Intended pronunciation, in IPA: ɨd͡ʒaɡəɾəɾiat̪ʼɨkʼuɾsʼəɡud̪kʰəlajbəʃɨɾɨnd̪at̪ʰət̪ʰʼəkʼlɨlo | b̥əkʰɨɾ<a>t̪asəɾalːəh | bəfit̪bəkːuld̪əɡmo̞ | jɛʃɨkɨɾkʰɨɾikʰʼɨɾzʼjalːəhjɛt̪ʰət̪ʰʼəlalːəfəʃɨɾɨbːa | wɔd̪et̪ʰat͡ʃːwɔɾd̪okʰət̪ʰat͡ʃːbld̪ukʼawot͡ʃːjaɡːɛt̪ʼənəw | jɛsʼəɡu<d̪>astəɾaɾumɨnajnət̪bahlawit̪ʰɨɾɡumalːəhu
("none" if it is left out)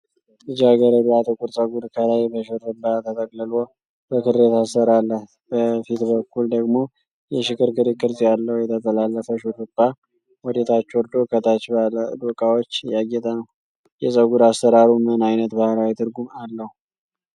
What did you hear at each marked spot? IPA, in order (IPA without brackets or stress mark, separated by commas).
e, d̪